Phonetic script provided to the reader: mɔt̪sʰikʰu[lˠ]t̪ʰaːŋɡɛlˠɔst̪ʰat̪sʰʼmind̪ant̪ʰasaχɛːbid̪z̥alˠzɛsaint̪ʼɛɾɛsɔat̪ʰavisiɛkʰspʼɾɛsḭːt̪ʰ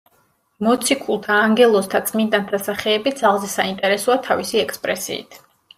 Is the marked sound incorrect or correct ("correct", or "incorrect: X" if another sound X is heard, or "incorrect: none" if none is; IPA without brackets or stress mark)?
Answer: correct